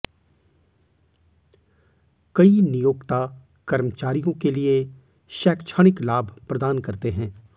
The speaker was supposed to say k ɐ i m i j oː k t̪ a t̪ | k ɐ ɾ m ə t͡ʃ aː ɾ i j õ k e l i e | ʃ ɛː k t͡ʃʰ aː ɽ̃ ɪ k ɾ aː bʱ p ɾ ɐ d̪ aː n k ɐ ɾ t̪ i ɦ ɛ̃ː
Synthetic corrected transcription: k ɐ i n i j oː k t̪ a | k ɐ ɾ m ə t͡ʃ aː ɾ i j õ k e l i e | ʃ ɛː k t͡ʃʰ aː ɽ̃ ɪ k l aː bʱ p ɾ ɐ d̪ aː n k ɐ ɾ t̪ e ɦ ɛ̃ː

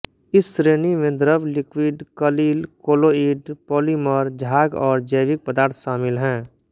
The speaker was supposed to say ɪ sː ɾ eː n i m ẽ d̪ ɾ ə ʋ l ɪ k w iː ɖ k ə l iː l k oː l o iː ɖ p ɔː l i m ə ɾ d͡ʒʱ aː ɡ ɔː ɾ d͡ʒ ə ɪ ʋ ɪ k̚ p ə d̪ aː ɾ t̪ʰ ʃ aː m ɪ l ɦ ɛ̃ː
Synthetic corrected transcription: ɪ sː ɾ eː n i m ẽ d̪ ɾ ə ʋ l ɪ k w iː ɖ k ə l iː l k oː l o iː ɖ p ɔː l i m ə ɾ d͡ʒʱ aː ɡ ɔː ɾ d͡ʒ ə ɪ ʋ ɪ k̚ p ə d̪ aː ɾ t̪ʰ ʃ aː m ɪ l ɦ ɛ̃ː

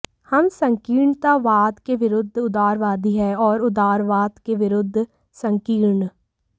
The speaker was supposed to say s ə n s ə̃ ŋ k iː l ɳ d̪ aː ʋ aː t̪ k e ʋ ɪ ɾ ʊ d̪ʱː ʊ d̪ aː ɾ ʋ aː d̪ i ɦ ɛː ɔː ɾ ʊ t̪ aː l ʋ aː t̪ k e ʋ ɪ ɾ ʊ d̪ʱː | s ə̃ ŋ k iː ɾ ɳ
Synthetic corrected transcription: h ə m s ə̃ ŋ k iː ɾ ɳ t̪ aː ʋ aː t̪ k e ʋ ɪ ɾ ʊ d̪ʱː ʊ d̪ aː ɾ ʋ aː d̪ i ɦ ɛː ɔː ɾ ʊ d̪ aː ɾ ʋ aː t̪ k e ʋ ɪ ɾ ʊ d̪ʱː | s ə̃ ŋ k iː ɾ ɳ

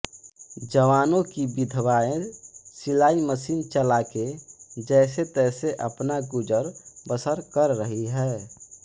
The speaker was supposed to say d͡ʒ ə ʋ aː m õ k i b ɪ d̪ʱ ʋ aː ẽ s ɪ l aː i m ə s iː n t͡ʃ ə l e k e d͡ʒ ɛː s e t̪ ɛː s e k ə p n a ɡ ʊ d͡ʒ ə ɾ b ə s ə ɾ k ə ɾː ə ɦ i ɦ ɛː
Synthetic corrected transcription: d͡ʒ ə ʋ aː n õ k i b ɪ d̪ʱ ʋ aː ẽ s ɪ l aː i m ə s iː n t͡ʃ ə l a k e d͡ʒ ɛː s e t̪ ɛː s e ʔ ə p n a ɡ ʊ d͡ʒ ə ɾ b ə s ə ɾ k ə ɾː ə ɦ i ɦ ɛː

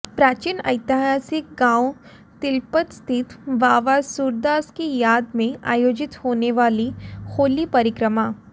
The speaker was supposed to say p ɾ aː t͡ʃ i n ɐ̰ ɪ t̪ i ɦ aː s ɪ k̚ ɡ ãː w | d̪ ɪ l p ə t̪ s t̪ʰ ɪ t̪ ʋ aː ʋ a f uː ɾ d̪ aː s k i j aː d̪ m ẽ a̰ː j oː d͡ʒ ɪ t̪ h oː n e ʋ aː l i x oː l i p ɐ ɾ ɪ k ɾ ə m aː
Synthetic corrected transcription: p ɾ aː t͡ʃ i n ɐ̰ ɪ t̪ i ɦ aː s ɪ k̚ ɡ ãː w | t̪ ɪ l p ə t̪ s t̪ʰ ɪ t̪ ʋ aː ʋ a s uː ɾ d̪ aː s k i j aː d̪ m ẽ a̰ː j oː d͡ʒ ɪ t̪ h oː n e ʋ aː l i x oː l i p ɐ ɾ ɪ k ɾ ə m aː

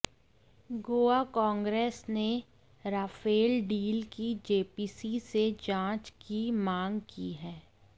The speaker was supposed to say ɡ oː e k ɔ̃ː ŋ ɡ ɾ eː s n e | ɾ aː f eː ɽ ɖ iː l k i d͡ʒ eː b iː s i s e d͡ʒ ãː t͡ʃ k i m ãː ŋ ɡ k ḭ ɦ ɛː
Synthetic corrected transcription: ɡ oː a k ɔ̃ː ŋ ɡ ɾ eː s n e | ɾ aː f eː l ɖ iː l k i d͡ʒ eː p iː s i s e d͡ʒ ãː t͡ʃ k i m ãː ŋ ɡ k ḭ ɦ ɛː

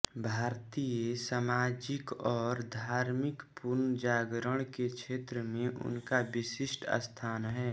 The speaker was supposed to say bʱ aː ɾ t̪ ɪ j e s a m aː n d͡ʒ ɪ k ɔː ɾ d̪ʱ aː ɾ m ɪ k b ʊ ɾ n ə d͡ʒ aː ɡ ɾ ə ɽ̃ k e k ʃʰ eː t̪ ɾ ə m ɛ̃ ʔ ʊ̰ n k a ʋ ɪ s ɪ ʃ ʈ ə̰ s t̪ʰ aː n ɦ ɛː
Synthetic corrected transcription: bʱ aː ɾ t̪ i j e s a m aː d͡ʒ ɪ k ɔː ɾ d̪ʱ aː ɾ m ɪ k p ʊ ɾ n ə d͡ʒ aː ɡ ɾ ə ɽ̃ k e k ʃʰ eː t̪ ɾ ə m ẽ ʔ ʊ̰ n k a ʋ ɪ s ɪ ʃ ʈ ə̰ s t̪ʰ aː n ɦ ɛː

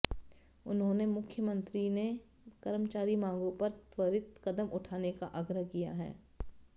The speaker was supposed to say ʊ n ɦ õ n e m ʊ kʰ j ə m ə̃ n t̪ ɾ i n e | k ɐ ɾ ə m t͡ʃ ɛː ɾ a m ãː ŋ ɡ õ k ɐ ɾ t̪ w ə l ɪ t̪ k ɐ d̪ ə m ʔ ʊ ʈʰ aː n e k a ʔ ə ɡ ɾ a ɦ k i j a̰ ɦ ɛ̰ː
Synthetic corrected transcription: ʊ n ɦ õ n e m ʊ kʰ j ə m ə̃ n t̪ ɾ i n e | k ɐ ɾ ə m t͡ʃ aː ɾ i m ãː ŋ ɡ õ p ɐ ɾ t̪ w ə ɾ ɪ t̪ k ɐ d̪ ə m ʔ ʊ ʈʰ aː n e k a ʔ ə ɡ ɾ ə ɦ k i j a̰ ɦ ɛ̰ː

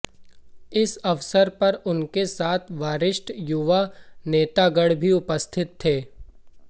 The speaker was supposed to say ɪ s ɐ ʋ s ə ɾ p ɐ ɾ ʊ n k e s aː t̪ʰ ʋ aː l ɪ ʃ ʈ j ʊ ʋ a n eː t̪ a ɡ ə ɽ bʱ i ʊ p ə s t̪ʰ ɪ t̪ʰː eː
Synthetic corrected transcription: ɪ s ɐ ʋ s ə ɾ p ɐ ɾ ʊ n k e s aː t̪ʰ ʋ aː ɾ ɪ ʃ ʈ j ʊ ʋ a n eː t̪ a ɡ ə ɽ bʱ i ʊ p ə s t̪ʰ ɪ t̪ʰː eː

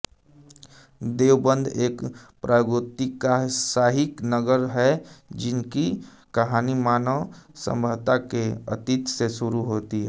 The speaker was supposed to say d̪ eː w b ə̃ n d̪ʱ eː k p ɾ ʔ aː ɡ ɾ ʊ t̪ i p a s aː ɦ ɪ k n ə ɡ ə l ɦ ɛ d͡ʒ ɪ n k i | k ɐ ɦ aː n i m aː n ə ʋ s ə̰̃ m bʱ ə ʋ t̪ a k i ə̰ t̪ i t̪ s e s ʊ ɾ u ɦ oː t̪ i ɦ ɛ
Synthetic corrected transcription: d̪ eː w b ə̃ n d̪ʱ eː k p ɾ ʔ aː ɡ ɾ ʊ t̪ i k a s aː ɦ ɪ k n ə ɡ ə ɾ ɦ ɛ d͡ʒ ɪ n k i | k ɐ ɦ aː n i m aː n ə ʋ s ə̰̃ m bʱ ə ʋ t̪ a k e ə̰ t̪ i t̪ s e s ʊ ɾ u ɦ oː t̪ i ɦ ɛ

